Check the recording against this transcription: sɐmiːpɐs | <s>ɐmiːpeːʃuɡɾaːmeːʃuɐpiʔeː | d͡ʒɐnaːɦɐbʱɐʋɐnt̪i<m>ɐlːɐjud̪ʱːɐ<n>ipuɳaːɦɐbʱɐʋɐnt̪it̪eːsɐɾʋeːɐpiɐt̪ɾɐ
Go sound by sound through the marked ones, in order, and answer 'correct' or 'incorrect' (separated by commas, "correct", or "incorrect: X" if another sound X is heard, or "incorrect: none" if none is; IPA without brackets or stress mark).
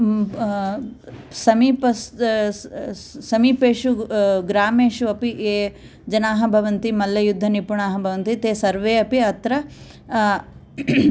correct, correct, correct